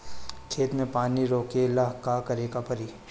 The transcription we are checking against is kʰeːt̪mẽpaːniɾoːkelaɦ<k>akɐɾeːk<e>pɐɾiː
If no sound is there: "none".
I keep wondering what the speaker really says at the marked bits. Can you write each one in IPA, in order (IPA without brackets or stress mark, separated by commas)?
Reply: k, a